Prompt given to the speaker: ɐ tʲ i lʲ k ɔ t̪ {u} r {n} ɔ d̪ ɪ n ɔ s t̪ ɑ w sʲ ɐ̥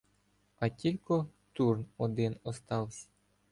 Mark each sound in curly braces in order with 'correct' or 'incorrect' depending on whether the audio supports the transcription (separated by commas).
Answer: correct, correct